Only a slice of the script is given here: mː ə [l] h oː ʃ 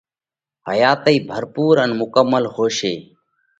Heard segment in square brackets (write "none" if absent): l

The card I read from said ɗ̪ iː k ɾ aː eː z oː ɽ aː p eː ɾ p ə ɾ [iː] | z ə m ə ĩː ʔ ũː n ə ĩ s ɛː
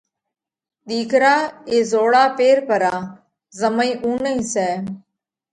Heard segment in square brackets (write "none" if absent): aː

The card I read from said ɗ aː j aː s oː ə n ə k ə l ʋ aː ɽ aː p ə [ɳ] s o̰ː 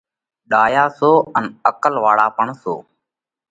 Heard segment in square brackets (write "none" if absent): ɳ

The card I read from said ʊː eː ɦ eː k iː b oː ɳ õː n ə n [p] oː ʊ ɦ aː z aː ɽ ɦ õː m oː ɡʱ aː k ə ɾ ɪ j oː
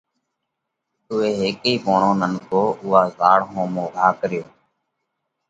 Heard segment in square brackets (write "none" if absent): k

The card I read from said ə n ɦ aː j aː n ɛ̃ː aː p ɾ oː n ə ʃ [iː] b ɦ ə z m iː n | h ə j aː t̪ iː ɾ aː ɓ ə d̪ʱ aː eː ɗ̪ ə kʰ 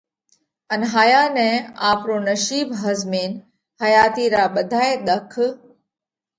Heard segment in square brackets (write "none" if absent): iː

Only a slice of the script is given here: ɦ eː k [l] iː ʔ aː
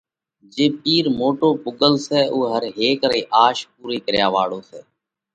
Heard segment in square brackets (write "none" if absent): ɾ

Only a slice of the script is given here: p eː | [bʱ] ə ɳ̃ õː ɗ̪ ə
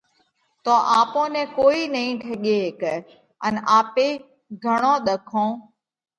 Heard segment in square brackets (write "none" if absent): ɡʱ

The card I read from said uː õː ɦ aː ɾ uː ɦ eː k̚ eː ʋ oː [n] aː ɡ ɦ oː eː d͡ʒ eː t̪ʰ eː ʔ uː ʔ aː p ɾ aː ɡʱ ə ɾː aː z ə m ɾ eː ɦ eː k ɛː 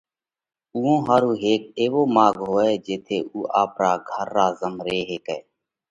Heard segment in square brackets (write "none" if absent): m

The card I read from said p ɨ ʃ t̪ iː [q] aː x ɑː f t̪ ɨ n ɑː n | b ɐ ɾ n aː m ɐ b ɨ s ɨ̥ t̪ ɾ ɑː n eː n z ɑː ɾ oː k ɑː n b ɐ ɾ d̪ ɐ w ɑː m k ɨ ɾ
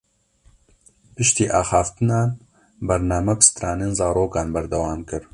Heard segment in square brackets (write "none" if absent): ʔ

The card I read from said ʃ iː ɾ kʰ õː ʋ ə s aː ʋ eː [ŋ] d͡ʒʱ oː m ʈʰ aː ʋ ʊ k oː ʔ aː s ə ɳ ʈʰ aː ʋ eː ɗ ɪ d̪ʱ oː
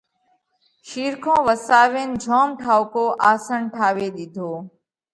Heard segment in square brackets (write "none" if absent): n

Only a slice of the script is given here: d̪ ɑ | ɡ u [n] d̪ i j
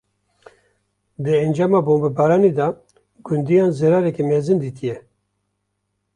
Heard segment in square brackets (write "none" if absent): n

